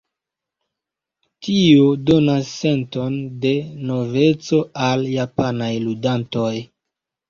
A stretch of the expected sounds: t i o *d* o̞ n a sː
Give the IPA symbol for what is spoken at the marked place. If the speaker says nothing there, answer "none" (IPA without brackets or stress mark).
d